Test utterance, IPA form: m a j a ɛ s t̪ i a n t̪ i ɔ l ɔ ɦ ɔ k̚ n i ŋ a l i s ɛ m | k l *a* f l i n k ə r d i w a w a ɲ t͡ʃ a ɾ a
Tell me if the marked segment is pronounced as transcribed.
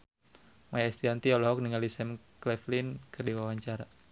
no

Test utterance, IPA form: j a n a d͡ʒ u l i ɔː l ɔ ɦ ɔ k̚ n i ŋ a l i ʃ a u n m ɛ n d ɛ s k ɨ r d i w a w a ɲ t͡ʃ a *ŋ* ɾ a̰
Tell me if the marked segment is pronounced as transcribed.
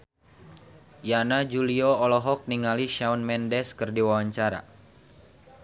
no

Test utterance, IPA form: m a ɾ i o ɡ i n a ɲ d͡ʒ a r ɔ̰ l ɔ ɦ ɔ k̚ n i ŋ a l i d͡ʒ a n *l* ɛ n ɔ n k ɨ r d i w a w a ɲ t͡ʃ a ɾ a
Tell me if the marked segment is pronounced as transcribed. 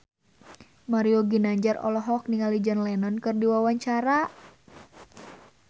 yes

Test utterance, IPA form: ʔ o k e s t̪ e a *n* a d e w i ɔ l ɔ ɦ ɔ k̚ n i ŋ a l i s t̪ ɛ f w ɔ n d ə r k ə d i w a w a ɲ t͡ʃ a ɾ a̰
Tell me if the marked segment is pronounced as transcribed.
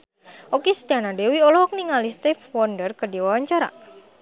yes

